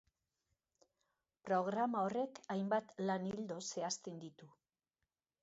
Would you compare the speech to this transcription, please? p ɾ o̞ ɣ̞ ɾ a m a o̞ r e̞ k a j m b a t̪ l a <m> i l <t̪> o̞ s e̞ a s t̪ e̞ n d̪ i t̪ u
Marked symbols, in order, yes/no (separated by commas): no, no